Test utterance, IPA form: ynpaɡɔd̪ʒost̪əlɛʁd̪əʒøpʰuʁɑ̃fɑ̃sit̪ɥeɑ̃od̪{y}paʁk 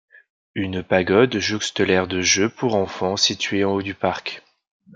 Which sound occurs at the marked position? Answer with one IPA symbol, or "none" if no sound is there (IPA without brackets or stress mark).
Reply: y